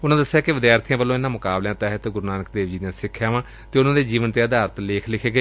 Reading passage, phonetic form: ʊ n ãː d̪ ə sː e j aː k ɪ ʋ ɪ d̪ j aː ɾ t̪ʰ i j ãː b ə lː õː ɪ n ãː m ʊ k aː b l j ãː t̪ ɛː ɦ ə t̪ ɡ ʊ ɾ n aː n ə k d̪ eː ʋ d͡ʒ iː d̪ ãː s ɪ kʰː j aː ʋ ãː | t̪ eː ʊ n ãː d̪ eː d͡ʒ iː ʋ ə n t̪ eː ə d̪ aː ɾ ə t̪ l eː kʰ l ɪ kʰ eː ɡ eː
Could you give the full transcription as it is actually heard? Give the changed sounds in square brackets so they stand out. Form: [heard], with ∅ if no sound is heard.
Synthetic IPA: ʊ n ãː d̪ ə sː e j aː k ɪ ʋ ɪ d̪ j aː ɾ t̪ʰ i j ãː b ə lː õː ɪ n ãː m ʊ k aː b l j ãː t̪ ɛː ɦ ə t̪ ɡ ʊ ɾ n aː n ə k d̪ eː ʋ d͡ʒ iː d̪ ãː s ɪ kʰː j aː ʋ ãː | t̪ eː ʊ n ãː d̪ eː d͡ʒ iː ʋ ə n t̪ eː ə d̪ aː ɾ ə t̪ l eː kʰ l ɪ kʰ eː ɡ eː